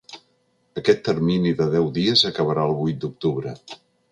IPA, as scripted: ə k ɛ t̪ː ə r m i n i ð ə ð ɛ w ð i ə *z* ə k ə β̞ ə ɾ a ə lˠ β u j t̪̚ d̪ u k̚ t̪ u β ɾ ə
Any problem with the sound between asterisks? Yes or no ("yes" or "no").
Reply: no